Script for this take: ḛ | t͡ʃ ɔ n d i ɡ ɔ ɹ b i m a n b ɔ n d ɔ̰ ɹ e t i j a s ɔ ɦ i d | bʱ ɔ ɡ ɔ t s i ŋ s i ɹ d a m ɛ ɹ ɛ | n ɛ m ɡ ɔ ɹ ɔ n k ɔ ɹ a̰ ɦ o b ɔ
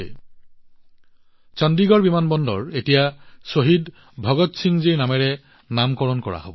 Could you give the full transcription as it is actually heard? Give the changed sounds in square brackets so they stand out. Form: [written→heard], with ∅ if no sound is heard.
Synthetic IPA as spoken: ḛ | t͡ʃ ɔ n d i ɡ ɔ ɹ b i m a n b ɔ n d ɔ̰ ɹ e t i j a s [ɔ→o] ɦ i d | bʱ ɔ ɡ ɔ t s i ŋ [s→z] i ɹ [d→n] a m ɛ ɹ ɛ | n [ɛ→a] m [ɡ→k] ɔ ɹ ɔ n k ɔ ɹ a̰ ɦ o b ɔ